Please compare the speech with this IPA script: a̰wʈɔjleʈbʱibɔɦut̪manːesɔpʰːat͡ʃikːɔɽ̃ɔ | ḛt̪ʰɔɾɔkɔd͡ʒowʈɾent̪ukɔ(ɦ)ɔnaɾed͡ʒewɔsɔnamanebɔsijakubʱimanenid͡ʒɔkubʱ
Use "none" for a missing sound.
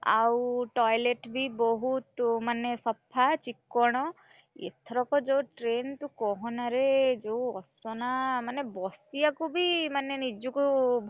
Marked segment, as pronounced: ɦ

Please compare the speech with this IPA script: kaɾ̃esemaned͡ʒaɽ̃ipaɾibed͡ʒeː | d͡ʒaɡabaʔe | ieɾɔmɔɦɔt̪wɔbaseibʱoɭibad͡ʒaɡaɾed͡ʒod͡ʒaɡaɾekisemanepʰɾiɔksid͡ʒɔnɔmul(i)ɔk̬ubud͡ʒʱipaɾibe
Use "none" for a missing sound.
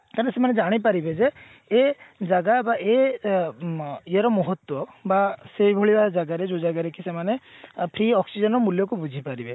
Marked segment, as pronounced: j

